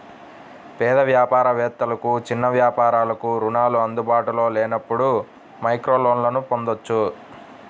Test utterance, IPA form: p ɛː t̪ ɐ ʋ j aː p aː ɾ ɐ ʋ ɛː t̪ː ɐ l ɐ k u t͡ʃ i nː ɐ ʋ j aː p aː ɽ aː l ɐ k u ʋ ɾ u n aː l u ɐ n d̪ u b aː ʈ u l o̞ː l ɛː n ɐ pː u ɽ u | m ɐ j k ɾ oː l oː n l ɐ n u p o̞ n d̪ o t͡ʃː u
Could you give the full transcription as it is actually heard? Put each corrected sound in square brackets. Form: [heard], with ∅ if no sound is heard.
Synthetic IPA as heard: p ɛː [d̪] ɐ ʋ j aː p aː ɾ ɐ ʋ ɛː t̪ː ɐ l ɐ k u t͡ʃ i nː ɐ ʋ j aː p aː [ɾ] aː l ɐ k u [∅] ɾ u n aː l u ɐ n d̪ u b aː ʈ u l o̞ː l ɛː n ɐ pː u ɽ u | m ɐ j k ɾ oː l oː n l ɐ n u p o̞ n d̪ o t͡ʃː u